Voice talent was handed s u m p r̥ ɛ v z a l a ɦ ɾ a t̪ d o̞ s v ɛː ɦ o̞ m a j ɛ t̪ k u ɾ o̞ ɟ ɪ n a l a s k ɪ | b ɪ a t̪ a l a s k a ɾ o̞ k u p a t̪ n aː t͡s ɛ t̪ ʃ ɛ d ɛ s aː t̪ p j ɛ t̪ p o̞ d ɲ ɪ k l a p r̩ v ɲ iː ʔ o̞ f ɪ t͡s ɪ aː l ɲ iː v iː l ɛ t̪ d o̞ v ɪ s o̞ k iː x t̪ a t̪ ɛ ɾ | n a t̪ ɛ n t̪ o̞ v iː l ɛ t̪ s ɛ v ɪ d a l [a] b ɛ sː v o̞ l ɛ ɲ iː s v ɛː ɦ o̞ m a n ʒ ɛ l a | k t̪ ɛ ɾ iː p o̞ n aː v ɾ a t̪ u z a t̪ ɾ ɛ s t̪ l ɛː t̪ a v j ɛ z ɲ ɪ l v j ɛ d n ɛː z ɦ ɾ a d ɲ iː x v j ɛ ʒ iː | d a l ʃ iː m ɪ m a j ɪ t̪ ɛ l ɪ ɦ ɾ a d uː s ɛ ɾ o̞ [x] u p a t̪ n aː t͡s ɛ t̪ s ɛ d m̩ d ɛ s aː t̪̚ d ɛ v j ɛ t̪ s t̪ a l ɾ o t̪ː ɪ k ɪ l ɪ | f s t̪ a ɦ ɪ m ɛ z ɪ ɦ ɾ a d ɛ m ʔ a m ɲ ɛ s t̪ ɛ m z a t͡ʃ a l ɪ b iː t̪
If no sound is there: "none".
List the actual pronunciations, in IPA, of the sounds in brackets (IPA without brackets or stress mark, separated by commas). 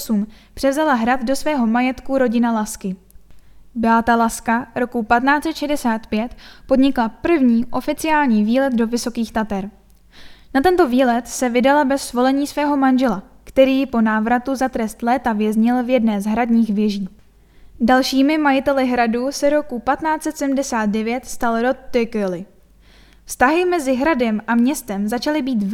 a, k